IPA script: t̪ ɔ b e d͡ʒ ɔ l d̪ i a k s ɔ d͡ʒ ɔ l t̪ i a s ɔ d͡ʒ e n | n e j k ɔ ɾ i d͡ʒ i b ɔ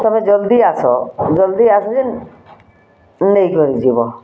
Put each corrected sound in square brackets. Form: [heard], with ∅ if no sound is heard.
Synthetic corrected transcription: t̪ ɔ [m] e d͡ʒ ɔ l d̪ i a [∅] s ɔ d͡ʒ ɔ l [d̪] i a s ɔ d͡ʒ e n | n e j k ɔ ɾ i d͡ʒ i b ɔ